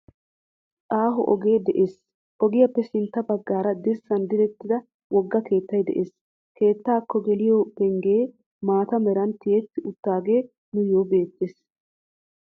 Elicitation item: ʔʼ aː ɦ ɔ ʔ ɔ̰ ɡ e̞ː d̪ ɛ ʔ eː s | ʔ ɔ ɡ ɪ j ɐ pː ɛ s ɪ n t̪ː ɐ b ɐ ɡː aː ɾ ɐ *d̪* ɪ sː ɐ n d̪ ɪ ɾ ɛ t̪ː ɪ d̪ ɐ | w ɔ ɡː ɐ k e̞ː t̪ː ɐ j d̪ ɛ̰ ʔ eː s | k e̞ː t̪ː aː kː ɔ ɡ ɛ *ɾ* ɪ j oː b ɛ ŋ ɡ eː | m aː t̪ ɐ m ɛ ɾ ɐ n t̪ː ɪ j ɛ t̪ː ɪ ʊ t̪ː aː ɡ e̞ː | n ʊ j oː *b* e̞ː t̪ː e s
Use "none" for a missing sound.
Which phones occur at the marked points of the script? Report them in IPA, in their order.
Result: d̪, l, b

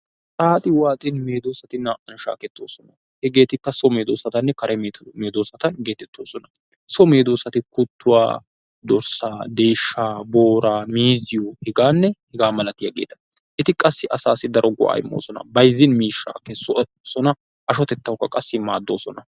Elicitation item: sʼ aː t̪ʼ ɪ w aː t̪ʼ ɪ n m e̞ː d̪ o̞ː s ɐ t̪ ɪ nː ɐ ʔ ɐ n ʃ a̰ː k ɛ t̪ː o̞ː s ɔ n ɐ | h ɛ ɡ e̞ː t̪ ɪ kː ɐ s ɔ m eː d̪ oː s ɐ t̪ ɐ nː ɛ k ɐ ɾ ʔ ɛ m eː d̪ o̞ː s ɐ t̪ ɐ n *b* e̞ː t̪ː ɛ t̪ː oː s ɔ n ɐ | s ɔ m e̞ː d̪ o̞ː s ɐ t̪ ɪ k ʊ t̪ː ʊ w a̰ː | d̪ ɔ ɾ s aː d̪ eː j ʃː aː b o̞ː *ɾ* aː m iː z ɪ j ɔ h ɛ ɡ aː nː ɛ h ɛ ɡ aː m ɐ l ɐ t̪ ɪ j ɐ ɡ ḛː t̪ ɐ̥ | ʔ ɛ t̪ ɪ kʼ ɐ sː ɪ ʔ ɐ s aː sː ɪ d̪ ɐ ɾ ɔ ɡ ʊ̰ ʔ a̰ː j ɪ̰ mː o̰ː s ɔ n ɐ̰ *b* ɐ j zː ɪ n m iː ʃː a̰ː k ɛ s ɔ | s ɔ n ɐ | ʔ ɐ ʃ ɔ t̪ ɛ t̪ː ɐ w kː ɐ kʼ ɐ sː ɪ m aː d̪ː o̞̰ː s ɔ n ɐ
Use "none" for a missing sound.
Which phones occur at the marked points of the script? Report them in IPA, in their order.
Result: ɡ, ɾ, b

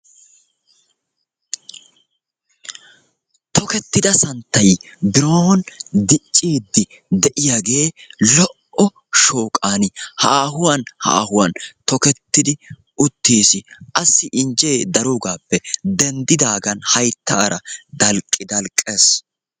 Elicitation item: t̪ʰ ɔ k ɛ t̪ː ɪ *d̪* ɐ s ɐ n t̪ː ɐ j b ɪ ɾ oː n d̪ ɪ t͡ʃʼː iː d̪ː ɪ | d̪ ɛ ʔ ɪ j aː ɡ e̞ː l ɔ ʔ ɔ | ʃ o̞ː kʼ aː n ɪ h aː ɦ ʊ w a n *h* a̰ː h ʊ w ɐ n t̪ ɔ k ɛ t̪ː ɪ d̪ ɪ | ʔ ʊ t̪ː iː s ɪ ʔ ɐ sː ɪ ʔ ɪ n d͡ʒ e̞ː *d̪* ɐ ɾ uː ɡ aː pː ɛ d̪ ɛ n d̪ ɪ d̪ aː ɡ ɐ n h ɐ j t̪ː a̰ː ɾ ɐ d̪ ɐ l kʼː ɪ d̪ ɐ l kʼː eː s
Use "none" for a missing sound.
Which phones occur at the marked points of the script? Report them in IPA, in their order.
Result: d̪, h, d̪

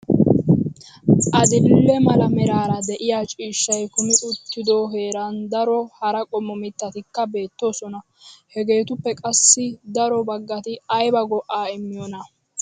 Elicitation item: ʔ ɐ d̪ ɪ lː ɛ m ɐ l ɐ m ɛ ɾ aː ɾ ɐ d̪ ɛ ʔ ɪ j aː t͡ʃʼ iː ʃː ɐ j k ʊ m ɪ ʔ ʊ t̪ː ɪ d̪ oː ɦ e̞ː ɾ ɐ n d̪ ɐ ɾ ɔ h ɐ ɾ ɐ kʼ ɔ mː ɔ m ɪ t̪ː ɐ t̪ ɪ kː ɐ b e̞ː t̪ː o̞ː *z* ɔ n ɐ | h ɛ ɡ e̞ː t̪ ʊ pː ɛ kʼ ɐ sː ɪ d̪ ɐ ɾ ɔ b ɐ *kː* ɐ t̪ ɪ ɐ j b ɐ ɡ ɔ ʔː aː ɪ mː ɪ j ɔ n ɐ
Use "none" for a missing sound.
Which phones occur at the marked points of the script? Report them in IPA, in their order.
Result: s, ɡː

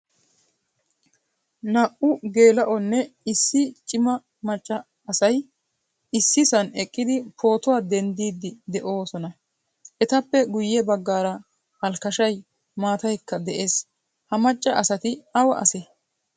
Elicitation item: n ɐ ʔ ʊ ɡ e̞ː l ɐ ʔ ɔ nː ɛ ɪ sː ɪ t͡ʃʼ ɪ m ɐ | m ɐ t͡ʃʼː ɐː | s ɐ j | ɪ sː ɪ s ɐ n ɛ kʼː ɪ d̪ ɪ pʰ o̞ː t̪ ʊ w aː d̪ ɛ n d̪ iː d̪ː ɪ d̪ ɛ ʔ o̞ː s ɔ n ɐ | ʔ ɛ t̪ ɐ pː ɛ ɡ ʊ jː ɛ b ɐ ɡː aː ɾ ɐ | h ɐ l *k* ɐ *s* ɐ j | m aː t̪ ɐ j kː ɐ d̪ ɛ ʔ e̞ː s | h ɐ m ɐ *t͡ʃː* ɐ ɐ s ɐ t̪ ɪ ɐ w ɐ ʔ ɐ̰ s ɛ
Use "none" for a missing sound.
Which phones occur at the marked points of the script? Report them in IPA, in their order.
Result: k, ʃ, t͡ʃʼː

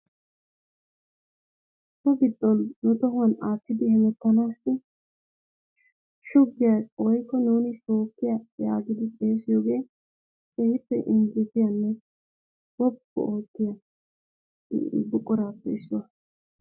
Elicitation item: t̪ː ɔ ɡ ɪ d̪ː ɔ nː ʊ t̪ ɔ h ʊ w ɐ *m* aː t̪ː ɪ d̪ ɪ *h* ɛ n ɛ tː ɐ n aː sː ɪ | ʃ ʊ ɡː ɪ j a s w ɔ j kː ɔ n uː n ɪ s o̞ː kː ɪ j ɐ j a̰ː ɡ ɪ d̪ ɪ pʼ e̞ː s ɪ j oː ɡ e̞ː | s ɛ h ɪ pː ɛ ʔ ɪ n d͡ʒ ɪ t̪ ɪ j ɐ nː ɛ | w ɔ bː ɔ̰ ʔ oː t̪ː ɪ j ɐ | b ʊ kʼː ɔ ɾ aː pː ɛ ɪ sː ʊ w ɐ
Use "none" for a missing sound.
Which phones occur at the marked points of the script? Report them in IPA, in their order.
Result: n, h

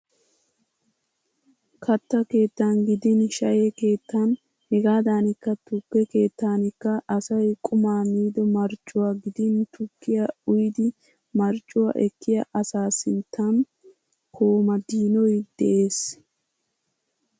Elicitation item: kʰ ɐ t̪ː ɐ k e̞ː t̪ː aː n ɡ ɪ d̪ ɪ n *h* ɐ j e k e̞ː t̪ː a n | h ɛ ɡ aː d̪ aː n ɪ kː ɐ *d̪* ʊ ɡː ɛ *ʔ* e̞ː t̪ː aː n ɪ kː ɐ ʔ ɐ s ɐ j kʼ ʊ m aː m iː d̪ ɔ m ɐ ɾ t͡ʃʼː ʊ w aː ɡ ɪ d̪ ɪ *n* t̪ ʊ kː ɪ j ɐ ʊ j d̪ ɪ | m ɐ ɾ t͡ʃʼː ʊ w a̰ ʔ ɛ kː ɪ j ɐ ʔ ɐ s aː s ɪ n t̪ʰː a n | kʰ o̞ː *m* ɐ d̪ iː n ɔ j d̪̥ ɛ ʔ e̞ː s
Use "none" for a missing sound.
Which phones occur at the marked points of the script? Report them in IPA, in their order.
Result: ʃ, t̪, k, n, m

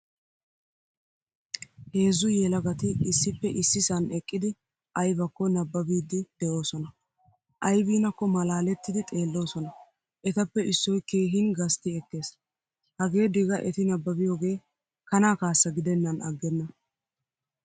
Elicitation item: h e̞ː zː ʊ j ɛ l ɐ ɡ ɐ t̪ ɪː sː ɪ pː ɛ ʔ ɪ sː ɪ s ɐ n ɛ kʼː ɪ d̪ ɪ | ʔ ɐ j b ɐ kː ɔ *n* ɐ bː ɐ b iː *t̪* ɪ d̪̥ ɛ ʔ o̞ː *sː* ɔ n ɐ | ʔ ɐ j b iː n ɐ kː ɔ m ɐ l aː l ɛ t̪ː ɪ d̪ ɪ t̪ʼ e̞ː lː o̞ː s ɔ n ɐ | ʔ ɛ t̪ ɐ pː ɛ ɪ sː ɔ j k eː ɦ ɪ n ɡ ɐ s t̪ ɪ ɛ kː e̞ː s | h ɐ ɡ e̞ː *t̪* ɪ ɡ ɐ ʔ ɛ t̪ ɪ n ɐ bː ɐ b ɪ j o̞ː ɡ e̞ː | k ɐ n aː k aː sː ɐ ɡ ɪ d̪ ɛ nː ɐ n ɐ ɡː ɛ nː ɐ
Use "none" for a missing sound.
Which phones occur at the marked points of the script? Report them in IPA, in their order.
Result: n, d̪, s, d̪

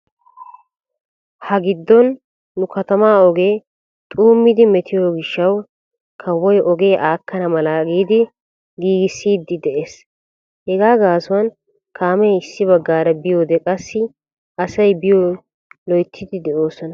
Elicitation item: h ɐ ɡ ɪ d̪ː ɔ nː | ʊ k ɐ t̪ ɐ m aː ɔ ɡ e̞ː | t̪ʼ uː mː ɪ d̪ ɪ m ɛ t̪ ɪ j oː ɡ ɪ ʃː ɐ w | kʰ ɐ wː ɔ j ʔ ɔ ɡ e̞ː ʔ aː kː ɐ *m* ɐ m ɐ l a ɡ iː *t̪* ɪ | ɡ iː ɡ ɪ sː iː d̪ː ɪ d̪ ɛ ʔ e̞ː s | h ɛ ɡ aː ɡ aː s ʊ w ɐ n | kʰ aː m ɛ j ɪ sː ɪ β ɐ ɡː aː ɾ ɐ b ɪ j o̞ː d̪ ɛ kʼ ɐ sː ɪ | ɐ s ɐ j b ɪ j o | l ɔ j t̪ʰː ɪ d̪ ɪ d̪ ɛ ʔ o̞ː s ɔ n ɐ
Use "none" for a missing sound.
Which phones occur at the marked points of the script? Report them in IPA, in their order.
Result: n, d̪

